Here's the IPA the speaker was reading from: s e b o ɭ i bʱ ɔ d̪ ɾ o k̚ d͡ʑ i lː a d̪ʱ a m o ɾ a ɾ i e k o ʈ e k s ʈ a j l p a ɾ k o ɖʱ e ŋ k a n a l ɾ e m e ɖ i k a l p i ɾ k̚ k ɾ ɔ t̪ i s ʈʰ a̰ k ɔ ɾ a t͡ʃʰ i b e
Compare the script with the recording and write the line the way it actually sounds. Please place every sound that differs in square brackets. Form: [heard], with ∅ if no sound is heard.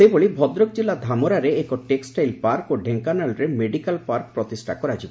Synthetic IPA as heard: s e b o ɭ i bʱ ɔ d̪ ɾ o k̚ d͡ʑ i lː a d̪ʱ a m o ɾ a ɾ [e] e k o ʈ e k s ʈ a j l p a ɾ k o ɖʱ e ŋ k a n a l ɾ e m e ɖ i k a l p [a] ɾ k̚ [p] ɾ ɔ t̪ i s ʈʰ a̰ k ɔ ɾ a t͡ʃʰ i b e